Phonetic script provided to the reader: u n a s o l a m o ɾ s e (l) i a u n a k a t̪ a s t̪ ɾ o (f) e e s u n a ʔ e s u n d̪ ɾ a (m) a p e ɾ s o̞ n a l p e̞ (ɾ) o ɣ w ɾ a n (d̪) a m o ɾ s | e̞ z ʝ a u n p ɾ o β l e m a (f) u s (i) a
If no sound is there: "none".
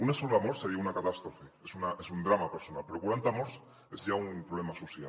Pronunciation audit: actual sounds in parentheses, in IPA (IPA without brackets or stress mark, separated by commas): ɾ, f, m, ɾ, t̪, s, j